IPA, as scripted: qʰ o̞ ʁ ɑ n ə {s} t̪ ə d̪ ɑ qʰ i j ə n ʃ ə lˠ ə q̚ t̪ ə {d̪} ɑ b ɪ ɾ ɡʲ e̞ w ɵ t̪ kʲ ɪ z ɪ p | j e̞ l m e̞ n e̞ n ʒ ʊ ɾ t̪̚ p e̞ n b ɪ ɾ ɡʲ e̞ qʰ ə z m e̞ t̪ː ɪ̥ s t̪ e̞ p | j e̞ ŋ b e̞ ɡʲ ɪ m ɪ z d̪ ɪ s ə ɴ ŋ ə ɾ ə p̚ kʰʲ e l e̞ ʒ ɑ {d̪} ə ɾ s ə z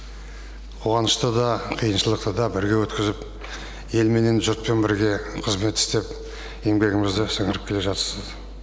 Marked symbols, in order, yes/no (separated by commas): no, yes, no